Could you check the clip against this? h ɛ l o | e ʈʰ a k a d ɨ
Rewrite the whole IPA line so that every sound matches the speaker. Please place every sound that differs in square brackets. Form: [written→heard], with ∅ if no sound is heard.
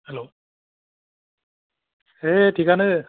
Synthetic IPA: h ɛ l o | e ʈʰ [a→i] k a [d→n] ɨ